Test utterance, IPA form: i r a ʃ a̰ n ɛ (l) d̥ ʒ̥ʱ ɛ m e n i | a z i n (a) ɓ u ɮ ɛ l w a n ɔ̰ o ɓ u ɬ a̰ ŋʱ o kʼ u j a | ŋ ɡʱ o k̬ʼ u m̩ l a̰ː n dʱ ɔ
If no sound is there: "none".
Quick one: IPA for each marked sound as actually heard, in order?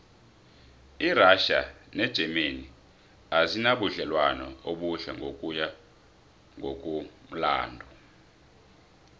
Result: none, a

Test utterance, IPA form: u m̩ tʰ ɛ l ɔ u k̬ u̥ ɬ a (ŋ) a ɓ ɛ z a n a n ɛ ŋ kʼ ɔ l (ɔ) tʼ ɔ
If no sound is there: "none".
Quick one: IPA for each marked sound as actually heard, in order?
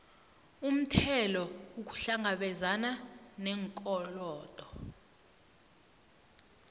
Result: ŋ, ɔː

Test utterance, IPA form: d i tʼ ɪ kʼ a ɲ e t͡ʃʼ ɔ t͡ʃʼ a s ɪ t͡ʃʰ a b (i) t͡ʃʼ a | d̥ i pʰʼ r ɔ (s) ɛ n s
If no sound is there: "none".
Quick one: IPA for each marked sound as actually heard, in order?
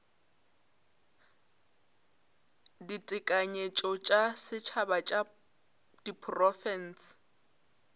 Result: a, f

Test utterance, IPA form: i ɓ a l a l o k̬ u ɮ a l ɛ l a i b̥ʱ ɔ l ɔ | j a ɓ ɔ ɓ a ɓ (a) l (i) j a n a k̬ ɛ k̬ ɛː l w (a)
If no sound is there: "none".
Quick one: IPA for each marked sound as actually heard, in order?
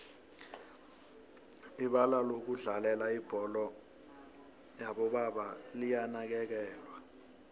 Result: a, i, a

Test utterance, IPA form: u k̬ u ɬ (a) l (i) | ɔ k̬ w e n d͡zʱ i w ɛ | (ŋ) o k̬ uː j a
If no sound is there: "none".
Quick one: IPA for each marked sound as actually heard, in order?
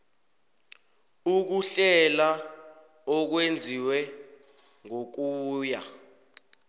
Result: ɛ, a, ŋ

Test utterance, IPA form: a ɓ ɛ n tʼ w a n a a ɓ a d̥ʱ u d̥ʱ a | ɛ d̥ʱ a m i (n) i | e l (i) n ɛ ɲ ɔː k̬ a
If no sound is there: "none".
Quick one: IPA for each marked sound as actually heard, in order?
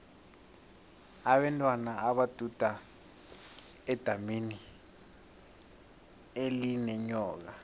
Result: n, i

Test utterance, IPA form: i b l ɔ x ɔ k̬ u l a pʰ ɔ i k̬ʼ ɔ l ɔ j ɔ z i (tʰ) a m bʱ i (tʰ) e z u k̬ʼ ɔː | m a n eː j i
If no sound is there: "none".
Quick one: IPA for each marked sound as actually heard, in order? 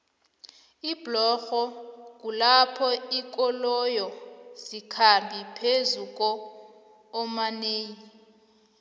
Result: kʰ, pʰ

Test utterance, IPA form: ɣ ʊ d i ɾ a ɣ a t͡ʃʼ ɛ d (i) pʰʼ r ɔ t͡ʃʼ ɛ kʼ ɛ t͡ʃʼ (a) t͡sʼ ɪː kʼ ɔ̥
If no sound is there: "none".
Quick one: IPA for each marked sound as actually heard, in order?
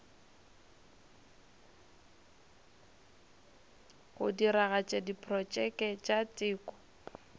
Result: i, a

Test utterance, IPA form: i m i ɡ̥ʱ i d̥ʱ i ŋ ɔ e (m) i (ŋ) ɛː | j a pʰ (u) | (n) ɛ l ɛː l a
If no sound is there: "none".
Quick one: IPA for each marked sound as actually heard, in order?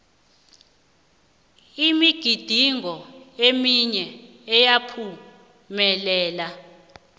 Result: m, ɲ, u, m

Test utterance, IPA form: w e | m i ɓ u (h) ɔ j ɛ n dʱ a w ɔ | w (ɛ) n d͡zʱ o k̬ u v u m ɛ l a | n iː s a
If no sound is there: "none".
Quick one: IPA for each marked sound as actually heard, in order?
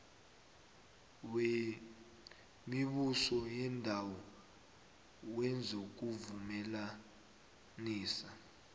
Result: s, ɛ

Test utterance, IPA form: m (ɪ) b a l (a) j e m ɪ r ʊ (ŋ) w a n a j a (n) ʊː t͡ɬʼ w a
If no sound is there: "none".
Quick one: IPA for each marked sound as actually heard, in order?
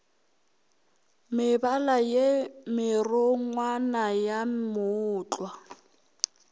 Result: ɪ, a, ŋ, m

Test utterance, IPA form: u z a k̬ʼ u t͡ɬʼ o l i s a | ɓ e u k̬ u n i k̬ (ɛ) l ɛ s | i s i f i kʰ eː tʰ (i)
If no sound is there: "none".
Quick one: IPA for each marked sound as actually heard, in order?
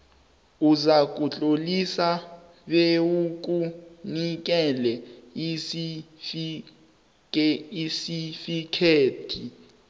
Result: ɛ, i

